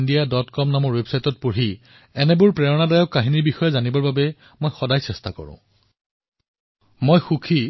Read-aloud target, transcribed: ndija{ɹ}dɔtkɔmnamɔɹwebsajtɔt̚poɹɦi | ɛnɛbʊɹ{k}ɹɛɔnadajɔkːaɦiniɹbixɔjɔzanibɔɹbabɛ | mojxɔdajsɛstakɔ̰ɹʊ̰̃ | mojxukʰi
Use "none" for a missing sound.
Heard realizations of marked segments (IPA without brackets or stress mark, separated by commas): none, p